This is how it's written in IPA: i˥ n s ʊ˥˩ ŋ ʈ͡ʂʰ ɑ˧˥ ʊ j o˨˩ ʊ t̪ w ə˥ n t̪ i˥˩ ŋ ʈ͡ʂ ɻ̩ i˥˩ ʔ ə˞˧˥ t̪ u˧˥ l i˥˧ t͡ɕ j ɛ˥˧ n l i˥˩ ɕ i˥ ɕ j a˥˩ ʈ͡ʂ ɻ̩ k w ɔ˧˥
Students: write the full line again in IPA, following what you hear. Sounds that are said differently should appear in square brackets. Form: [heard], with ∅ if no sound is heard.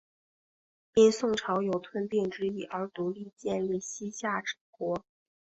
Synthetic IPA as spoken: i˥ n s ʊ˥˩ ŋ ʈ͡ʂʰ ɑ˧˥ ʊ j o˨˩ ʊ [t̪ʰ] w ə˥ n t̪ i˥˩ ŋ ʈ͡ʂ ɻ̩ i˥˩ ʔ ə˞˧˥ t̪ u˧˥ l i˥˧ t͡ɕ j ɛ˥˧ n l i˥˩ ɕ i˥ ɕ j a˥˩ ʈ͡ʂ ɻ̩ k w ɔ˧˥